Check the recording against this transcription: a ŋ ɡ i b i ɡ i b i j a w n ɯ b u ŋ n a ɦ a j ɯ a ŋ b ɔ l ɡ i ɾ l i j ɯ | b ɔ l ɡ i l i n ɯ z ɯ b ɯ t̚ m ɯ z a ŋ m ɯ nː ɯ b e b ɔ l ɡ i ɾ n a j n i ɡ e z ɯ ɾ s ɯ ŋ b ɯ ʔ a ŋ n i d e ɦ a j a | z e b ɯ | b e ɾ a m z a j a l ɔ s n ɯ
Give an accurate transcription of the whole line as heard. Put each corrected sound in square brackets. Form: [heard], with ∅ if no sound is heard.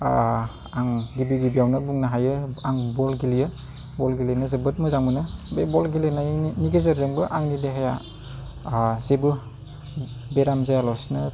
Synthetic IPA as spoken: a ŋ ɡ i b i ɡ i b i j a w n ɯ b u ŋ n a ɦ a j ɯ a ŋ b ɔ l ɡ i [∅] l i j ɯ | b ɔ l ɡ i l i n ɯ z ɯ b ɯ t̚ m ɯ z a ŋ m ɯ [n] ɯ b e b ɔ l ɡ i [l] n a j n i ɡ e z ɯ ɾ [z] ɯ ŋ b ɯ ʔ a ŋ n i d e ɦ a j a | z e b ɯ | b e ɾ a m z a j a l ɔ s n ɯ